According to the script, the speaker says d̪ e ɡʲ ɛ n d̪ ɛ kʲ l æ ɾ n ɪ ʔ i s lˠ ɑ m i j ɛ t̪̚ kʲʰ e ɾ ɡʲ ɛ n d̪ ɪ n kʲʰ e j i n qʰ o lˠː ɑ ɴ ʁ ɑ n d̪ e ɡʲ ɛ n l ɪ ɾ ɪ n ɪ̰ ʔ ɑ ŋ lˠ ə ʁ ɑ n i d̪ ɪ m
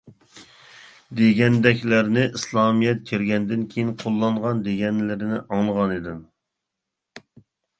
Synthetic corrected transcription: d̪ e ɡʲ ɛ n d̪ ɛ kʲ l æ ɾ n ɪ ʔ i s lˠ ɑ m i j ɛ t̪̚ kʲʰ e ɾ ɡʲ ɛ n d̪ ɪ n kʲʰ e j i n qʰ o lˠː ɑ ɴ ʁ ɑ n d̪ e ɡʲ ɛ n l ɪ ɾ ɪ n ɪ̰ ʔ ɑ ŋ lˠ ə ʁ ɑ n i d̪ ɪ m